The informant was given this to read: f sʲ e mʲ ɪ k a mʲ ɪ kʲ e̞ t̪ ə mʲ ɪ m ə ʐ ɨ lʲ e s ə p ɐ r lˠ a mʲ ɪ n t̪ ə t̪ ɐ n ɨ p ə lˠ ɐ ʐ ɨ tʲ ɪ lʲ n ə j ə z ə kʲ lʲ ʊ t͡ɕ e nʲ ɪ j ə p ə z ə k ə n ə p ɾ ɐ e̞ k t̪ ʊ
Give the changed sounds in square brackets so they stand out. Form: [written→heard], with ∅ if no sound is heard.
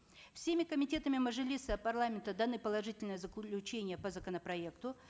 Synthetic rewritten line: f sʲ e mʲ ɪ k [a→ə] mʲ ɪ [kʲ→tʲ] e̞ t̪ ə mʲ ɪ m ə ʐ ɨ lʲ [e→i] s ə p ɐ r lˠ a mʲ ɪ n t̪ ə [t̪→d̪] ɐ n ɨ p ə lˠ ɐ ʐ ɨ tʲ ɪ lʲ n ə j ə z ə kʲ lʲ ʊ t͡ɕ e nʲ ɪ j ə p ə z ə k ə n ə p ɾ ɐ e̞ k t̪ ʊ

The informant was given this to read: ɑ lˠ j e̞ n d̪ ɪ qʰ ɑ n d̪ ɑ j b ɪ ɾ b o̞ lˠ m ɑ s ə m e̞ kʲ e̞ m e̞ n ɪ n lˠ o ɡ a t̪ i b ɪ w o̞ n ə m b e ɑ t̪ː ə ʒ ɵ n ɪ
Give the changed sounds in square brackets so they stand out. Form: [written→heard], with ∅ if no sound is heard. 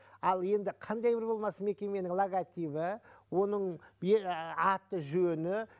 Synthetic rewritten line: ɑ lˠ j e̞ n d̪ ɪ qʰ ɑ n d̪ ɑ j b ɪ ɾ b o̞ lˠ m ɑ s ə m e̞ kʲ e̞ m e̞ n ɪ [n→ŋ] lˠ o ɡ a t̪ i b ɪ w o̞ n ə [m→ɴ] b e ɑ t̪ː ə ʒ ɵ n ɪ

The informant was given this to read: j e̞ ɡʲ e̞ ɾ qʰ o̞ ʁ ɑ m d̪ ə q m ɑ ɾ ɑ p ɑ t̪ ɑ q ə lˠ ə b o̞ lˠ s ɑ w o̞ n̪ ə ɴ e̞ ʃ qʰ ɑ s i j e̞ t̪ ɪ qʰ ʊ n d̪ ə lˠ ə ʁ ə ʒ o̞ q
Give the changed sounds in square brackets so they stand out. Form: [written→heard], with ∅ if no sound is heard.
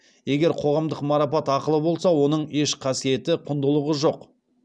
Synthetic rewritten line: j e̞ ɡʲ e̞ ɾ qʰ o̞ ʁ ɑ m d̪ ə q m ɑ ɾ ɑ p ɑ t̪ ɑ q ə lˠ ə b o̞ lˠ s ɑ w o̞ n̪ ə ɴ e̞ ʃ qʰ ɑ s i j e̞ t̪ ɪ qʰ ʊ n d̪ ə lˠ ə ʁ ə ʒ o̞ q

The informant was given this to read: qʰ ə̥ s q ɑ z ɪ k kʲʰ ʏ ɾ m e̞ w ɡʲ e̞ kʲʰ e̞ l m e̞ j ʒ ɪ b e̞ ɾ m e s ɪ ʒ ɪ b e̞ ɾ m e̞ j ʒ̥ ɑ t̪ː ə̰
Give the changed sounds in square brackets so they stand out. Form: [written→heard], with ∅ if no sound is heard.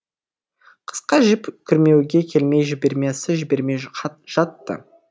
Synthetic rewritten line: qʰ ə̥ s q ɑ [z→ʒ] ɪ [k→p] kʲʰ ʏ ɾ m e̞ w ɡʲ e̞ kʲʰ e̞ l m e̞ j ʒ ɪ b e̞ ɾ m e s ɪ ʒ ɪ b e̞ ɾ m e̞ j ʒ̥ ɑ t̪ː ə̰

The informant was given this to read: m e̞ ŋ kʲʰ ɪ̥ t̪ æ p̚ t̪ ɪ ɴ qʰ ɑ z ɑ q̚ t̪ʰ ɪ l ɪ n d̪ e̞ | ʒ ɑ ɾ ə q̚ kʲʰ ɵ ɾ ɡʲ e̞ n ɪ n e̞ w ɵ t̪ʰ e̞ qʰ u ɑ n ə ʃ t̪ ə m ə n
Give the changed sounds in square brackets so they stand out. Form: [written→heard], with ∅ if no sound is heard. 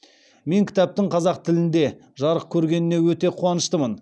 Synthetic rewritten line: m e̞ ŋ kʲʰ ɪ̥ t̪ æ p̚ t̪ ɪ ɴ qʰ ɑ z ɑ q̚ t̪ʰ ɪ l ɪ n d̪ e̞ | ʒ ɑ ɾ ə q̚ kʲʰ ɵ ɾ ɡʲ e̞ n ɪ n e̞ w ɵ [t̪ʰ→t̪] e̞ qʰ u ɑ n ə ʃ t̪ ə m ə n

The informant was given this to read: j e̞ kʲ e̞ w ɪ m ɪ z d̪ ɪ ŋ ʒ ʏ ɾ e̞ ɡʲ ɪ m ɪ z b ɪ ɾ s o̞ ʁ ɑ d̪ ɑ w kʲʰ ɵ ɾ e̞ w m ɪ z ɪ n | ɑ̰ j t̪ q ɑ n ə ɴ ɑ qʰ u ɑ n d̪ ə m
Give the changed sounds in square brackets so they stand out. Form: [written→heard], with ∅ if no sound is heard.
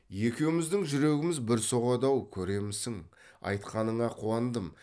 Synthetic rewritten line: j e̞ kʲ e̞ w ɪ m ɪ z d̪ ɪ ŋ ʒ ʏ ɾ e̞ ɡʲ ɪ m ɪ z b ɪ ɾ s o̞ ʁ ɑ d̪ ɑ w kʲʰ ɵ ɾ e̞ [w→∅] m ɪ [z→s] ɪ [n→ŋ] | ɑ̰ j t̪ q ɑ n ə ɴ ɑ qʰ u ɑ n d̪ ə m

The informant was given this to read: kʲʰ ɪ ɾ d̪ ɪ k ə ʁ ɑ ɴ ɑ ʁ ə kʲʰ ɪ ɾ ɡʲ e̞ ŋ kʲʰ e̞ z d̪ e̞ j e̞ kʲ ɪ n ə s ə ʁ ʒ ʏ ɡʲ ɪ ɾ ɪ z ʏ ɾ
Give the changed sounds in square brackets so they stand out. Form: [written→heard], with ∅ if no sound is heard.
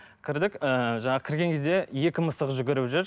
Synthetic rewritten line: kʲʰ ɪ ɾ d̪ ɪ k ə [ʁ→ʒ] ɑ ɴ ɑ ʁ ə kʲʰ ɪ ɾ ɡʲ e̞ ŋ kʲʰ e̞ z d̪ e̞ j e̞ kʲ ɪ [n→m] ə s ə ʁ ʒ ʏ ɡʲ ɪ ɾ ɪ [z→ʒ] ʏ ɾ

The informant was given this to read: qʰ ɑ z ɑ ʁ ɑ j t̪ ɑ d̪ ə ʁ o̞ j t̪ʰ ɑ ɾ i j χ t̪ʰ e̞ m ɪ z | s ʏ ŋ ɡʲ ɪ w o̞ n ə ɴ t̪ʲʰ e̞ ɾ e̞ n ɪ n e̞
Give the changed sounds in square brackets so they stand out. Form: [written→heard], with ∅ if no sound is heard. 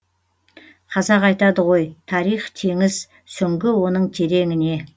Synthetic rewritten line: qʰ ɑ z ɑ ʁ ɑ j t̪ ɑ d̪ ə ʁ o̞ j t̪ʰ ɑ ɾ i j χ t̪ʰ e̞ [m→ŋ] ɪ z | s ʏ ŋ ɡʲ ɪ w o̞ n ə ɴ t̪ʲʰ e̞ ɾ e̞ [n→ŋ] ɪ n e̞

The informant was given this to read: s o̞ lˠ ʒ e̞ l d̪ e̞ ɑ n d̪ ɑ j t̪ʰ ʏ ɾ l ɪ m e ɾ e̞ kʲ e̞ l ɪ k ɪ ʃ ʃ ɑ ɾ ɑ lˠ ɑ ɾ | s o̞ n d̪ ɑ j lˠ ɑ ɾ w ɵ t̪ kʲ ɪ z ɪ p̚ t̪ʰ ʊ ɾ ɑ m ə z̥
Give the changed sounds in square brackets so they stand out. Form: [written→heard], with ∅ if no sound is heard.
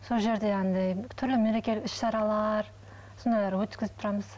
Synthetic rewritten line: s o̞ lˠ ʒ e̞ [l→ɾ] d̪ e̞ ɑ n d̪ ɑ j t̪ʰ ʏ ɾ l ɪ m e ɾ e̞ kʲ e̞ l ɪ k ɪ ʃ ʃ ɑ ɾ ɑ lˠ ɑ ɾ | s o̞ n d̪ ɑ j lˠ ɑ ɾ w ɵ t̪ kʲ ɪ z ɪ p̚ t̪ʰ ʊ ɾ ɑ m ə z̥

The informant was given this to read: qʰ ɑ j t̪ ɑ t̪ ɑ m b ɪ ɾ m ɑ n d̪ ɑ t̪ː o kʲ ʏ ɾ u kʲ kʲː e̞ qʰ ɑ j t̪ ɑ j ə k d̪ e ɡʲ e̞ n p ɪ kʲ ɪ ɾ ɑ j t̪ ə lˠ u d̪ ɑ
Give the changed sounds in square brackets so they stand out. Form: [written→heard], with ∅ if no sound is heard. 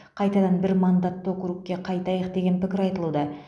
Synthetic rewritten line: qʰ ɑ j t̪ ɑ [t̪→d̪] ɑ [m→n] b ɪ ɾ m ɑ n d̪ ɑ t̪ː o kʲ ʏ ɾ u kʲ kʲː e̞ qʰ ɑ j t̪ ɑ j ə [k→q] d̪ e ɡʲ e̞ n p ɪ kʲ ɪ ɾ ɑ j t̪ ə lˠ u d̪ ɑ

